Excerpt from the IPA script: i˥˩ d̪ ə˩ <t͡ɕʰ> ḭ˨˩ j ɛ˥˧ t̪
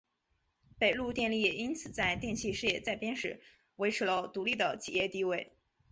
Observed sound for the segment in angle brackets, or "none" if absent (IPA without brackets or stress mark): t͡ɕʰ